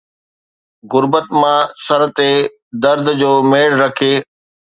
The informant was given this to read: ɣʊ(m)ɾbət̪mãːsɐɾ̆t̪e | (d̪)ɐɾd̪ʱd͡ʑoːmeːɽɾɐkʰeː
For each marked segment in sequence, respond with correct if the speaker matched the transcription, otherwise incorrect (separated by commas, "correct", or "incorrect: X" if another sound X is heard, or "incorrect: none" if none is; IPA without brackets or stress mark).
incorrect: none, correct